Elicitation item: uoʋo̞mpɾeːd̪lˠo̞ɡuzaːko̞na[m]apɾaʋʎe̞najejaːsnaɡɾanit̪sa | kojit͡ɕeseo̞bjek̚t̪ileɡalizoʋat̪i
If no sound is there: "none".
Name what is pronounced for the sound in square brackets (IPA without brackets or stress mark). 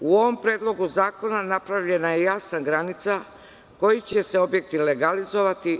n